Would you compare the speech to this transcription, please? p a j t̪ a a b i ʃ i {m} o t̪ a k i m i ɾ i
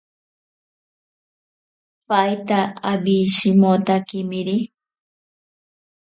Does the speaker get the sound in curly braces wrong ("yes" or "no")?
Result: no